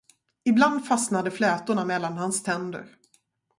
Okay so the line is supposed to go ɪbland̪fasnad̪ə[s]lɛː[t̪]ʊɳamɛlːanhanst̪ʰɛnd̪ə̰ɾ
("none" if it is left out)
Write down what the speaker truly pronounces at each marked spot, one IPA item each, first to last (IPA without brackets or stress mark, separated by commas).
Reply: f, t̪